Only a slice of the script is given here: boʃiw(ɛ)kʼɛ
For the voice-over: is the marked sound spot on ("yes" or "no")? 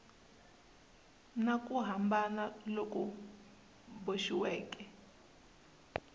no